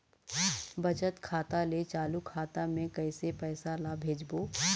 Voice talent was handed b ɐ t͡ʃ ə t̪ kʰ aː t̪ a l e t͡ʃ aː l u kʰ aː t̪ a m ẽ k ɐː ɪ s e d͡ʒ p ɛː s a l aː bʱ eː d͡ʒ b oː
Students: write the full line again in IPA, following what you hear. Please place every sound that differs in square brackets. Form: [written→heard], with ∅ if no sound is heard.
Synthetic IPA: b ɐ t͡ʃ ə t̪ kʰ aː t̪ a l e t͡ʃ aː l u kʰ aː t̪ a m ẽ k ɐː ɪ s e [d͡ʒ→∅] p ɛː s a l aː bʱ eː d͡ʒ b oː